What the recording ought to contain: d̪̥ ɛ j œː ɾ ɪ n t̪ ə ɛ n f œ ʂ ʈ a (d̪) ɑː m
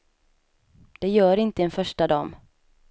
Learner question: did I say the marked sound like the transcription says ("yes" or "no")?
yes